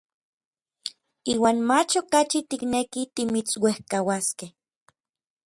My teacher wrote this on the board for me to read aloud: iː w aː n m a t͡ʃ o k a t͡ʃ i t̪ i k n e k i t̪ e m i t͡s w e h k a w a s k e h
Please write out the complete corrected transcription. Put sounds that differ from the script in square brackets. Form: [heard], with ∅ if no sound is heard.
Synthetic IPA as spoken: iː w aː n m a t͡ʃ o k a t͡ʃ i t̪ i k n e k i t̪ [i] m i t͡s w e h k a w a s k e h